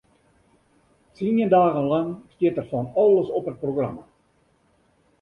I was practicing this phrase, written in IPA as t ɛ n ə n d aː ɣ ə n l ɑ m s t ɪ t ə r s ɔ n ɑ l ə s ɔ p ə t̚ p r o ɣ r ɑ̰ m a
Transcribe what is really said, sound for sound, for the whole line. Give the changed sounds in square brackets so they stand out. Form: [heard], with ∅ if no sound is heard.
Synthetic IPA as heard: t [i] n ə n d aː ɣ ə n l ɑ [ŋ] s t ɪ t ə r [f] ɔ n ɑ l ə s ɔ p ə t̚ p r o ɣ r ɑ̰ m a

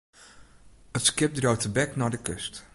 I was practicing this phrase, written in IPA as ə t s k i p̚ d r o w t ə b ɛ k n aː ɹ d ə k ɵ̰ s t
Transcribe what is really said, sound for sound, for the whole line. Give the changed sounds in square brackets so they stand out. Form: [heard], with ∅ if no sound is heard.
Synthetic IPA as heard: ə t s k [ɪ] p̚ d r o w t ə b ɛ k n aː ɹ d ə k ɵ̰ s t

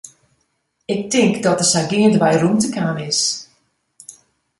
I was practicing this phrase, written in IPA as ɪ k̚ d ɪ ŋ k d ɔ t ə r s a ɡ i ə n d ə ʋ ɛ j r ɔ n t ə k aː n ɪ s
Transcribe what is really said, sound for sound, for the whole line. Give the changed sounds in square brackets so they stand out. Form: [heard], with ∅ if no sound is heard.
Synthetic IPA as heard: ɪ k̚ [t] ɪ ŋ k d ɔ t ə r s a ɡ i ə n d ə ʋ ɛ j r [u] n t ə k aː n ɪ s

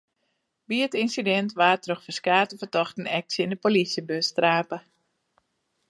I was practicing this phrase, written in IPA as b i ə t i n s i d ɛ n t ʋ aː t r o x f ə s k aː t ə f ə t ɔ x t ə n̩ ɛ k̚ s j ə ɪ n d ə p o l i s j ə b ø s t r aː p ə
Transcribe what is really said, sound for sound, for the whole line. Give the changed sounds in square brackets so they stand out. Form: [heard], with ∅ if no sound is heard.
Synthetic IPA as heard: b i ə t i n s i d ɛ n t ʋ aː t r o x f ə s k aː t ə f ə t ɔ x t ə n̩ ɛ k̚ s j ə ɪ n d ə p o l i s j ə b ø s t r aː p ə

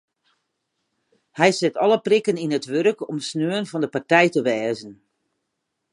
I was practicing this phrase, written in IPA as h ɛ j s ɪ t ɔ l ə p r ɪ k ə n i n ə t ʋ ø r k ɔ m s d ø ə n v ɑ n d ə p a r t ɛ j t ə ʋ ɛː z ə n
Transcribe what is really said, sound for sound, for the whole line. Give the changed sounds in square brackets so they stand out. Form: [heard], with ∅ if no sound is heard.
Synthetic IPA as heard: h ɛ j s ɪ t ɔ l ə p r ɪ k ə n i n ə t ʋ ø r k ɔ m s [n] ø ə n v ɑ n d ə p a r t ɛ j t ə ʋ ɛː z ə n

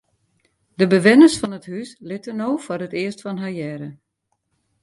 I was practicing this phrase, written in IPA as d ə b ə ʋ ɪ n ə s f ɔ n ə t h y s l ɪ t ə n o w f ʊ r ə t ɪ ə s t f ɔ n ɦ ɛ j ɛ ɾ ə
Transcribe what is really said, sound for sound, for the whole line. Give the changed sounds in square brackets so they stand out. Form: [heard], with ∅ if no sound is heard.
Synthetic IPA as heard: d ə b ə ʋ ɪ n ə s f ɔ n ə t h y s l ɪ t ə n o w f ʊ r ə t ɪ ə s t f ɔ n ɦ [a] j ɛ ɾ ə

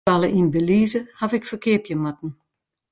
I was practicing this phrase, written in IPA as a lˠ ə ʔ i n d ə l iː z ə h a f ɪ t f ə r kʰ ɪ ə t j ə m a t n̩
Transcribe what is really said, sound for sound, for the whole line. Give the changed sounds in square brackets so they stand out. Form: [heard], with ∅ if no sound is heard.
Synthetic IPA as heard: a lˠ ə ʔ i n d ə l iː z ə h a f ɪ [k] f ə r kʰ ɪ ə [p] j ə m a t n̩

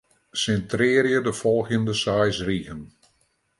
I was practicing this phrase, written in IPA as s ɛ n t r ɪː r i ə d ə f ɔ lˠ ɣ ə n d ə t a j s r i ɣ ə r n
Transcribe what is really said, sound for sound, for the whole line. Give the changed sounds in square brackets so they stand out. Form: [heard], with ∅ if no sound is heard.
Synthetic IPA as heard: s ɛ n t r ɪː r [j] ə d ə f ɔ lˠ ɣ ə n d ə [s] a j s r i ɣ ə [∅] n

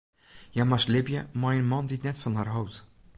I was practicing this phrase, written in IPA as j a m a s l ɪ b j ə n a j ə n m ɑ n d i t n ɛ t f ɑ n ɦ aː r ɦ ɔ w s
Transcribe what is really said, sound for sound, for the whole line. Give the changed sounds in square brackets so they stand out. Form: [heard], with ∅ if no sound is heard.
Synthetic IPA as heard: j a m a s l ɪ b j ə [m] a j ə n m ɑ n d i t n ɛ t f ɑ n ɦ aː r ɦ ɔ w [t]

